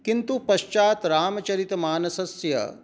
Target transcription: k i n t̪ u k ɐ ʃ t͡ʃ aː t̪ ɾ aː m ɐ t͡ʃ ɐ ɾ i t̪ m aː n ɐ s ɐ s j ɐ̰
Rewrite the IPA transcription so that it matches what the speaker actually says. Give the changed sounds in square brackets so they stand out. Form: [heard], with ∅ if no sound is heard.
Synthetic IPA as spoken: k i n t̪ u [p] ɐ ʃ t͡ʃ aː t̪ ɾ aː m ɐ t͡ʃ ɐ ɾ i t̪ m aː n ɐ s ɐ s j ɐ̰